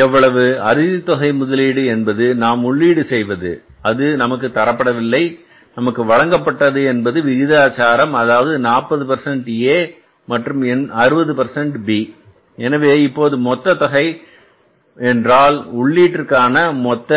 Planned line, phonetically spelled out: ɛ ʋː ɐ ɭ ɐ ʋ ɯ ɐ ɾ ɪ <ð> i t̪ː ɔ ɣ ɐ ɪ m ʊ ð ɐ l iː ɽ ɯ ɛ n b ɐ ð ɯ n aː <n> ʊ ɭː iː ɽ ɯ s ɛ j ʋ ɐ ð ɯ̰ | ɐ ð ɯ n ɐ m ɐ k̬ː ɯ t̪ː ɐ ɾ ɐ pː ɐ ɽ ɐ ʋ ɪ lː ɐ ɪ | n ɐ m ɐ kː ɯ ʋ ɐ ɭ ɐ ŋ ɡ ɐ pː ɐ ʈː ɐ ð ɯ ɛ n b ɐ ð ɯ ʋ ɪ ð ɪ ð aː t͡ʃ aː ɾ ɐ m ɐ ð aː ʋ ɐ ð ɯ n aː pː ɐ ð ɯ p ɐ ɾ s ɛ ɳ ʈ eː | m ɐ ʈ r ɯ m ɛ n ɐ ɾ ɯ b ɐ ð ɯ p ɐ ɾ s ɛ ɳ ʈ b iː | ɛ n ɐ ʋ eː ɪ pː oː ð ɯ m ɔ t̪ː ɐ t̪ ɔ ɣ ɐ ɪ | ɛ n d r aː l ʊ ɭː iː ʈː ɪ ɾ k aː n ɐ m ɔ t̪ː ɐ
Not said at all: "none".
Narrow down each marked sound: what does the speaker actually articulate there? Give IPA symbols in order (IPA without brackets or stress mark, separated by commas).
ð, m